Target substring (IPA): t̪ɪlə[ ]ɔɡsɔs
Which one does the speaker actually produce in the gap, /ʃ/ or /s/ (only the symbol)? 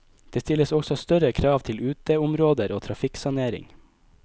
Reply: s